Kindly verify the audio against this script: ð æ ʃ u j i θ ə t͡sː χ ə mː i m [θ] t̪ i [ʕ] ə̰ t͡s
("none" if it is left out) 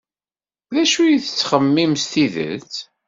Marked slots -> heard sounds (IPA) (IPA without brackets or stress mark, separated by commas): s, ð